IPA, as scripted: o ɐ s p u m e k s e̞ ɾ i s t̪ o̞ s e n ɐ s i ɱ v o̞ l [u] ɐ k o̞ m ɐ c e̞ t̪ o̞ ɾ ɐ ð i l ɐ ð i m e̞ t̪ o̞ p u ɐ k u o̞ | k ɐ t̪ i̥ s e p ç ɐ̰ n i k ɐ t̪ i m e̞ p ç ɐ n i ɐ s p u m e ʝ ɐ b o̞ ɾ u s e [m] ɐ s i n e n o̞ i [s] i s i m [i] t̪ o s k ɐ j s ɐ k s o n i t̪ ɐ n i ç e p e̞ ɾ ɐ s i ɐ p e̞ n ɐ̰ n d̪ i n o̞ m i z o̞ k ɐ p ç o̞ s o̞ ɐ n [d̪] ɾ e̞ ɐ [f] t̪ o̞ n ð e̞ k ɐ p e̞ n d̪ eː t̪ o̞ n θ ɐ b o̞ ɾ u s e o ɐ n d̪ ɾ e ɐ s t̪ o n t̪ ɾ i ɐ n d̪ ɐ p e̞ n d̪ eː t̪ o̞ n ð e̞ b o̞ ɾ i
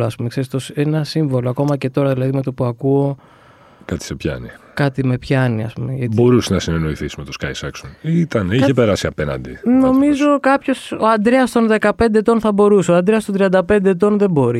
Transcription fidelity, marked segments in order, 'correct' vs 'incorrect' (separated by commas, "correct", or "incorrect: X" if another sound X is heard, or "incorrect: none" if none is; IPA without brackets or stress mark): incorrect: o, incorrect: n, incorrect: θ, incorrect: e, correct, incorrect: s